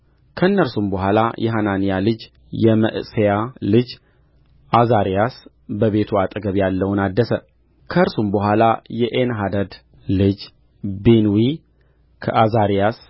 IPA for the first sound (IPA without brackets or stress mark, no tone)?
kʰ